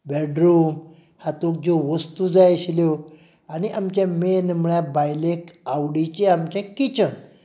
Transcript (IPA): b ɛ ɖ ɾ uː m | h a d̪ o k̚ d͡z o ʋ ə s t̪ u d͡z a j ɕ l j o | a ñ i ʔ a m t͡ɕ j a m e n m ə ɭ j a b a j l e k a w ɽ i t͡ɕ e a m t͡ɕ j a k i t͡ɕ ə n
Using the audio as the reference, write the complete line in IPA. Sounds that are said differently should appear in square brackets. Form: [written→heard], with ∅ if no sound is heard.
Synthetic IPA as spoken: b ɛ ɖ ɾ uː m | h a [d̪→t̪] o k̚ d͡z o ʋ ə s t̪ u d͡z a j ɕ l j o | a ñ i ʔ a m t͡ɕ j a m e n m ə ɭ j a b a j l e k a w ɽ i t͡ɕ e a m t͡ɕ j a k i t͡ɕ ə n